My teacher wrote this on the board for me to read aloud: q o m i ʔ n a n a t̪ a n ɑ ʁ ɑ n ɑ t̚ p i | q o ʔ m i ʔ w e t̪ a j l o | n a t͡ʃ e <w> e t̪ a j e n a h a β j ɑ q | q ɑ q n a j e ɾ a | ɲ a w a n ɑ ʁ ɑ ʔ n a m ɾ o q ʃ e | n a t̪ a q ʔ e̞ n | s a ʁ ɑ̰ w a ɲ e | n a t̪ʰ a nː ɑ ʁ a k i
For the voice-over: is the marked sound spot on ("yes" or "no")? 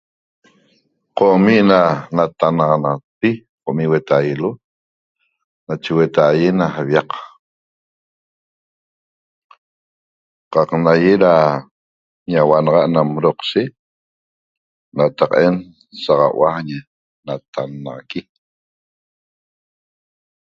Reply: yes